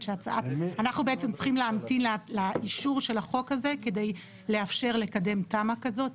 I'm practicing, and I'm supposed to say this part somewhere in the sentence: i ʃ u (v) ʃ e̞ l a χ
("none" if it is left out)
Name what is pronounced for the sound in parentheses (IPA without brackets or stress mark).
ʁ